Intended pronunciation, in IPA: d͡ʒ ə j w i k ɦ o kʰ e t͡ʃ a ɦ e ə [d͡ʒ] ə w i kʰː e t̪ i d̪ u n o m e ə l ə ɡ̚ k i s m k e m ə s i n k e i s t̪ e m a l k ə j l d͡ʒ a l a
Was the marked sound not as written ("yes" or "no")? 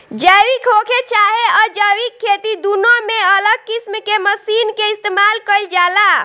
no